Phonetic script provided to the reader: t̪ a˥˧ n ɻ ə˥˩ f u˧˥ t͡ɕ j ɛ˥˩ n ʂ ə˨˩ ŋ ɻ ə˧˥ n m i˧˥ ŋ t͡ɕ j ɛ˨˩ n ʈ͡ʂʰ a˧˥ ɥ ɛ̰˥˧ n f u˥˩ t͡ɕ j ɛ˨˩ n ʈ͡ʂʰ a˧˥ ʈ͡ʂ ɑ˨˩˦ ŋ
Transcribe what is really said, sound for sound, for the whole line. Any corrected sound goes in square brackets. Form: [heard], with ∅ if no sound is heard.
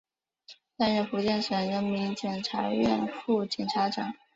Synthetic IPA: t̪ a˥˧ n ɻ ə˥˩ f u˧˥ t͡ɕ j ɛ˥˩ n ʂ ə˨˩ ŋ ɻ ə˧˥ n m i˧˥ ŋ t͡ɕ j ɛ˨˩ n ʈ͡ʂʰ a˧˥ ɥ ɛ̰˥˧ n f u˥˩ t͡ɕ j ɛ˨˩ n ʈ͡ʂʰ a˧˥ ʈ͡ʂ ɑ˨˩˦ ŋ